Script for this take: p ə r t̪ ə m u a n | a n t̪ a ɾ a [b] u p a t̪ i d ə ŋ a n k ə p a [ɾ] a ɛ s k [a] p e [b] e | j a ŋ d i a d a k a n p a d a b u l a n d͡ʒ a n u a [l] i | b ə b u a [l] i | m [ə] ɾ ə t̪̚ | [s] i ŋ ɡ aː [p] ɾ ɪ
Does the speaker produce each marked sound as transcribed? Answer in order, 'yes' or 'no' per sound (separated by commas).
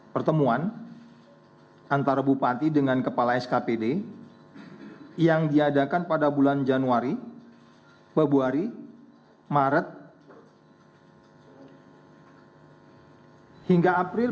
yes, no, yes, no, no, no, no, no, yes